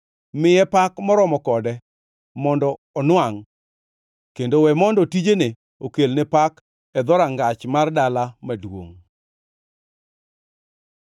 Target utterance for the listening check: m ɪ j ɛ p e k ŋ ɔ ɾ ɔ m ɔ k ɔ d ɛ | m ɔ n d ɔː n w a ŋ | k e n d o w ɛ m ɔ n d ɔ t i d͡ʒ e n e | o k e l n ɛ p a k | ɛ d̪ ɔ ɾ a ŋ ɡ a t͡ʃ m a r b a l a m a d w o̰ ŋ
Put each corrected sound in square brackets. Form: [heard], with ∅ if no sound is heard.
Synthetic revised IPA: m ɪ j ɛ p [a] k [m] ɔ ɾ ɔ m ɔ k ɔ d ɛ | m ɔ n d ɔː n w a ŋ | k e n d o w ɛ m ɔ n d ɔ t i d͡ʒ e n e | o k e l n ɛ p a k | ɛ d̪ ɔ ɾ a ŋ ɡ a t͡ʃ m a r [d] a l a m a d w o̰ ŋ